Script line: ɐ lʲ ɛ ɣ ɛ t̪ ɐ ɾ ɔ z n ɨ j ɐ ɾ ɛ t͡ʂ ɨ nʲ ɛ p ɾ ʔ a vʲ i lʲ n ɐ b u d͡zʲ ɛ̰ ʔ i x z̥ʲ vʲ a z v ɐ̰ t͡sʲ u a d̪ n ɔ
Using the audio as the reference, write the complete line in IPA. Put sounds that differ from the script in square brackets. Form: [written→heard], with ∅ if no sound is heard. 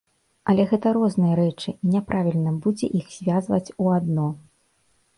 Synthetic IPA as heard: ɐ lʲ ɛ ɣ ɛ t̪ ɐ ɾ ɔ z n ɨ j ɐ ɾ ɛ t͡ʂ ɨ nʲ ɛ p ɾ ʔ a vʲ i lʲ n ɐ b u d͡zʲ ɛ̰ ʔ i x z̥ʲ vʲ a z v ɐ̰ t͡sʲ u a d̪ n ɔ